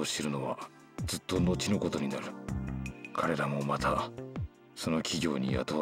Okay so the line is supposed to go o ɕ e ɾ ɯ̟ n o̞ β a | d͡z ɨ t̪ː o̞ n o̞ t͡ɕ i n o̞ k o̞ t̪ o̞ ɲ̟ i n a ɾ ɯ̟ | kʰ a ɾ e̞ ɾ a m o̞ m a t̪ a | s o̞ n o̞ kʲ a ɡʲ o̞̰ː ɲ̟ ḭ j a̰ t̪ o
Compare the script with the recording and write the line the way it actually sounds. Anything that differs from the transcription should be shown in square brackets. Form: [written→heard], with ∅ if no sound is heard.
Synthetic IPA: o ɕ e ɾ ɯ̟ n o̞ β a | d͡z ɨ t̪ː o̞ n o̞ t͡ɕ i n o̞ k o̞ t̪ o̞ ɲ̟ i n a ɾ ɯ̟ | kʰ a ɾ e̞ ɾ a m o̞ m a t̪ a | s o̞ n o̞ kʲ [a→i] ɡʲ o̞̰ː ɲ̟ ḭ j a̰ t̪ o